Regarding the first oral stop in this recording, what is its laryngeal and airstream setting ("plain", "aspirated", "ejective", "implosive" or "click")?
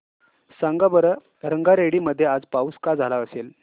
plain